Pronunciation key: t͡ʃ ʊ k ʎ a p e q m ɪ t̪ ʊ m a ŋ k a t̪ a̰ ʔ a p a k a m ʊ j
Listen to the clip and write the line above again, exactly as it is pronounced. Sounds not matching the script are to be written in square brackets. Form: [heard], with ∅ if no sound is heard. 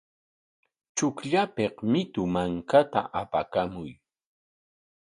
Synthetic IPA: t͡ʃ ʊ k ʎ a p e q m ɪ t̪ ʊ m a ŋ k a t̪ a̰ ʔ a p a k a m ʊ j

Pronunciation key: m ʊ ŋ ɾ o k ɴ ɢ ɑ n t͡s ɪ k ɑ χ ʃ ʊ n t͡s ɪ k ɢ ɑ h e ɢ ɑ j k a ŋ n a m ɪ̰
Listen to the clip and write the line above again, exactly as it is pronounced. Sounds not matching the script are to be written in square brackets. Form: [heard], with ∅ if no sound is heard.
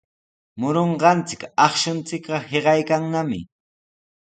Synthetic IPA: m ʊ [∅] ɾ o [∅] ɴ ɢ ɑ n t͡s ɪ k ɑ χ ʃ ʊ n t͡s ɪ k ɢ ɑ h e ɢ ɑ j k a ŋ n a m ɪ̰

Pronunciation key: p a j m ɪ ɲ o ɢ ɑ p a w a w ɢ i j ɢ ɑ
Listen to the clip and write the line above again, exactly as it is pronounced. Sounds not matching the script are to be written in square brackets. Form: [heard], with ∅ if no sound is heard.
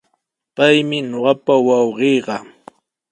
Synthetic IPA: p a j m ɪ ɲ o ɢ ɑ p a w [ɑ] w ɢ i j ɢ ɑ

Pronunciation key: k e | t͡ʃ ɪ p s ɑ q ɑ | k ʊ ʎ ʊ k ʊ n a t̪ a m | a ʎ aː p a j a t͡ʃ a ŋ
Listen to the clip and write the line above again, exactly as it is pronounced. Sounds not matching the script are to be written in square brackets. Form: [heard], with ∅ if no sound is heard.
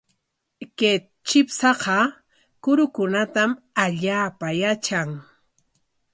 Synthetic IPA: k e | t͡ʃ ɪ p s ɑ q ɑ | k ʊ [ɾ] ʊ k ʊ n a t̪ a m | a ʎ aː p a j a t͡ʃ a ŋ

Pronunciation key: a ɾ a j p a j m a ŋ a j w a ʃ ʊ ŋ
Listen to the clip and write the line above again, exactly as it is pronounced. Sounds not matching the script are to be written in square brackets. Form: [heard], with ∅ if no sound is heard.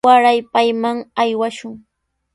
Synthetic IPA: a ɾ a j p a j m a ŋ a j w a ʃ ʊ ŋ

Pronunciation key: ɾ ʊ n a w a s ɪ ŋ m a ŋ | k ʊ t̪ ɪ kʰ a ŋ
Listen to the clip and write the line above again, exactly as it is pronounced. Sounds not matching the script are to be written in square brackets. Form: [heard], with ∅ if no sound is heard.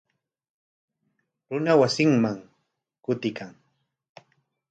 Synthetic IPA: ɾ ʊ n a w a s ɪ ŋ m a ŋ | k ʊ t̪ ɪ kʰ a ŋ

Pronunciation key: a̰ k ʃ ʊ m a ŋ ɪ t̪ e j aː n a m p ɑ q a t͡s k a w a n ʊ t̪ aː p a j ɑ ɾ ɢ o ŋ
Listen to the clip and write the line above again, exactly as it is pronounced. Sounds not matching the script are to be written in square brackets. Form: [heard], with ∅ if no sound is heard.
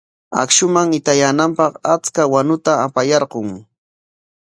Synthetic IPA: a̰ k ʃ ʊ m a ŋ ɪ t̪ [a] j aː n a m p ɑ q a t͡s k a w a n ʊ t̪ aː p a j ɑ ɾ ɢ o ŋ

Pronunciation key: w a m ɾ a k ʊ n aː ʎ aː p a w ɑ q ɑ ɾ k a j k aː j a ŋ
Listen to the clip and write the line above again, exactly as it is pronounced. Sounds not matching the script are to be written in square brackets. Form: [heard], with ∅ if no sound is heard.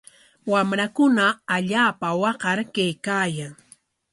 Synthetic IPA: w a m ɾ a k ʊ n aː ʎ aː p a w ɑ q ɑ ɾ k a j k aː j a ŋ

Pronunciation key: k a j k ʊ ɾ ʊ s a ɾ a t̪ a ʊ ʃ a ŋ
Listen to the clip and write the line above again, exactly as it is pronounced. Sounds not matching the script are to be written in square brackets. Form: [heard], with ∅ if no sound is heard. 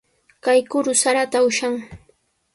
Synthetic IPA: k a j k ʊ ɾ ʊ s a ɾ a t̪ a ʊ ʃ a ŋ

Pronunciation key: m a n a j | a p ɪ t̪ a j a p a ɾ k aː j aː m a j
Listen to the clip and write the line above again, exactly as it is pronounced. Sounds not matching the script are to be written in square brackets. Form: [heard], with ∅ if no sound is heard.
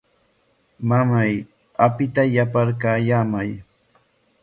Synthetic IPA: m a [m] a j | a p ɪ t̪ a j a p a ɾ k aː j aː m a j

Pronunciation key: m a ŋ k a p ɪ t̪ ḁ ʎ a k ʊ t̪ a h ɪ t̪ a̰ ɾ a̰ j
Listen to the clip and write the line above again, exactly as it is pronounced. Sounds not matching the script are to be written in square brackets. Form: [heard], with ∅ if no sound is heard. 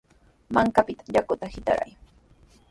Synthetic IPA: m a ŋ k a p ɪ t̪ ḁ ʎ a k ʊ t̪ a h ɪ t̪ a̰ ɾ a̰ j

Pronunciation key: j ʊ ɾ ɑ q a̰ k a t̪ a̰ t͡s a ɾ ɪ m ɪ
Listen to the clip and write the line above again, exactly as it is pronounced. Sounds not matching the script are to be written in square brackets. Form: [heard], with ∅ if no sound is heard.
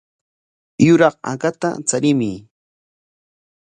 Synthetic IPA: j ʊ ɾ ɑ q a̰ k a t̪ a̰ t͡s a ɾ ɪ m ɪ

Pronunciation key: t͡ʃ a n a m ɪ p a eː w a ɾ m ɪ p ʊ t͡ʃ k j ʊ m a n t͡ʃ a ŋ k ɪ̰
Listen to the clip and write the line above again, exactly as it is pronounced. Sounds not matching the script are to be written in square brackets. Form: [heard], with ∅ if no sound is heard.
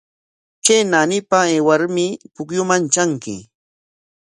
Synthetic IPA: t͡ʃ [e] n a [n] ɪ p a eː w a ɾ m ɪ p ʊ [∅] k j ʊ m a n t͡ʃ a ŋ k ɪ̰

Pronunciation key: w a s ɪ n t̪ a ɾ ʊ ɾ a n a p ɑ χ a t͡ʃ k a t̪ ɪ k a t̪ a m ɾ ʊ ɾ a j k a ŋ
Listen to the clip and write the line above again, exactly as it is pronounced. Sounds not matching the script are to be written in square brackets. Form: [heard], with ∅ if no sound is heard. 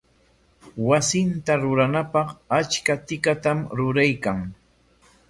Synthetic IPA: w a s ɪ n t̪ a ɾ ʊ ɾ a n a p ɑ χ a t͡ʃ k a t̪ ɪ k a t̪ a m ɾ ʊ ɾ a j k a ŋ

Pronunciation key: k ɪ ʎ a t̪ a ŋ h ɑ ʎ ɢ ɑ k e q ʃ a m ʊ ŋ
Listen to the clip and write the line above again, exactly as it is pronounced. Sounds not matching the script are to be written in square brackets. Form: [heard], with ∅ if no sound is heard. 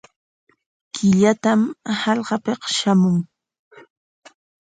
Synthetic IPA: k ɪ ʎ a t̪ a [m] h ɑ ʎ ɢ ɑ [p] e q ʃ a m ʊ ŋ

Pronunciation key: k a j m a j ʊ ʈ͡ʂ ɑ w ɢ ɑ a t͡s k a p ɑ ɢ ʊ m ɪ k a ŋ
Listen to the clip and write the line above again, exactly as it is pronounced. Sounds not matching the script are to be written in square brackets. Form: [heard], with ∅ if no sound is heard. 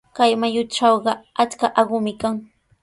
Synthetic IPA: k a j m a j ʊ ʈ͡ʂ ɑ w ɢ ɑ a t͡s k a [ʔ] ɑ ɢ ʊ m ɪ k a ŋ

